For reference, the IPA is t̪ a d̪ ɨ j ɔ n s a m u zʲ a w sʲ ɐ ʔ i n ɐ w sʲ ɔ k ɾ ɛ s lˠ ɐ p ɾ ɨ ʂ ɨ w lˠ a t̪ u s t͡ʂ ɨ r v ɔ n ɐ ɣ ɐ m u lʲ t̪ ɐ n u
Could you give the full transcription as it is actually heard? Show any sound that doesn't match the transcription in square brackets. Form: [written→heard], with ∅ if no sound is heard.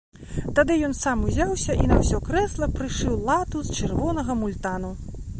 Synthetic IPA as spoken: t̪ a d̪ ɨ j ɔ n s a m u zʲ a w sʲ ɐ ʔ i n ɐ w sʲ ɔ k ɾ ɛ s lˠ ɐ p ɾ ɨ ʂ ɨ w lˠ a t̪ u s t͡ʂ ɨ r v ɔ n ɐ ɣ ɐ m u lʲ t̪ [ɐ→a] n u